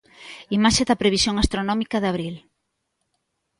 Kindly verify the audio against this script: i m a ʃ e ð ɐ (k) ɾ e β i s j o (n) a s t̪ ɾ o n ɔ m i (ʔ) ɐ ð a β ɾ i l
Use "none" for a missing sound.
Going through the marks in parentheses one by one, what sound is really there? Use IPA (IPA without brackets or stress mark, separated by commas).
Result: p, ŋ, k